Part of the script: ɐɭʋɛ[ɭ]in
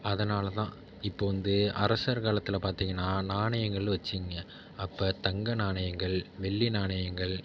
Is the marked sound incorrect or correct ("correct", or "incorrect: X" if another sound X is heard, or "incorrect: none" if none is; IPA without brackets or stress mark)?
incorrect: ɭː